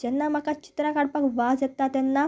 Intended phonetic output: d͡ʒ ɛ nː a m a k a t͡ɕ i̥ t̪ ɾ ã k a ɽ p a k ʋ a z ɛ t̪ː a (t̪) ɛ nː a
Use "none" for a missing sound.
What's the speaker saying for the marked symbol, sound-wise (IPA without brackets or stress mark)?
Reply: t̪